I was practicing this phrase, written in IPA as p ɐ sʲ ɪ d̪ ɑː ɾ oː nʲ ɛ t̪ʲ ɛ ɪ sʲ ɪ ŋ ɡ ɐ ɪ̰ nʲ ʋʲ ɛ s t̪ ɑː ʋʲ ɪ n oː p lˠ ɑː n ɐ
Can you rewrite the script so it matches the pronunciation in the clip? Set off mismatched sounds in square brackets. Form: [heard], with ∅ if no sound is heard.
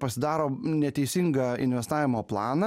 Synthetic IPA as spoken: p ɐ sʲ ɪ d̪ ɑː ɾ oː nʲ ɛ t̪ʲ ɛ ɪ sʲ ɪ ŋ ɡ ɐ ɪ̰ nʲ ʋʲ ɛ s t̪ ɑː ʋʲ ɪ [m] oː p lˠ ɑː n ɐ